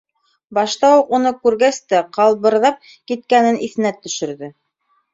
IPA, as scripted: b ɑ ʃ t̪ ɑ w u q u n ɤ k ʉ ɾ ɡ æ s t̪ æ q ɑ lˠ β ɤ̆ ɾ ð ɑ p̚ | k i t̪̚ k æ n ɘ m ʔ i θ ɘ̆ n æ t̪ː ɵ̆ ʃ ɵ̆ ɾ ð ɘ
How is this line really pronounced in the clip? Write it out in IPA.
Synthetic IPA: b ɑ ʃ t̪ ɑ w u q u n ɤ k ʉ ɾ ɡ æ s t̪ æ q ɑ lˠ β ɤ̆ ɾ ð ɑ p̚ | k i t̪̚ k æ n ɘ n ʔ i θ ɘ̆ n æ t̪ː ɵ̆ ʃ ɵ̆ ɾ ð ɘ